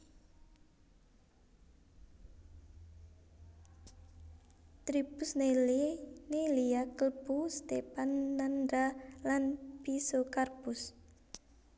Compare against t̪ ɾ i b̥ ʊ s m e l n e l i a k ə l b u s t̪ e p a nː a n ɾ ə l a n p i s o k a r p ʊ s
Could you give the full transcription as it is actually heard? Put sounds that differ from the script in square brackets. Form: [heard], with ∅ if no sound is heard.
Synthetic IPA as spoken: t̪ ɾ i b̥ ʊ s [n] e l n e l i a k ə l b u s t̪ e p a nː a n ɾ [a] l a n p i s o k a r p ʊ s